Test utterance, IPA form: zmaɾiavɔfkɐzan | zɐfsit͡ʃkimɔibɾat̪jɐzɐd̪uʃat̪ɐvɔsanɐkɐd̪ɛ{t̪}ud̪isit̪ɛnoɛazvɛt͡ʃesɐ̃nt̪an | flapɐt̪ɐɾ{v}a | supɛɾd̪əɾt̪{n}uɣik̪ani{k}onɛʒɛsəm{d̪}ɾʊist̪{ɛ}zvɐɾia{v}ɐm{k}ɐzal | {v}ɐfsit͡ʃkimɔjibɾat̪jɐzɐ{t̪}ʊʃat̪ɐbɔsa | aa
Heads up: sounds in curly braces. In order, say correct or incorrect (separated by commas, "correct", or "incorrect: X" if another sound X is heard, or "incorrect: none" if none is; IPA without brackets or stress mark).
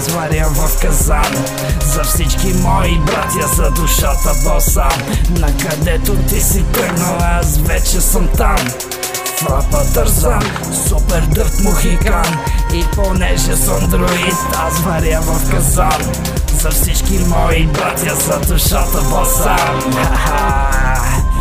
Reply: correct, incorrect: z, incorrect: m, incorrect: p, correct, incorrect: a, correct, correct, incorrect: z, incorrect: d̪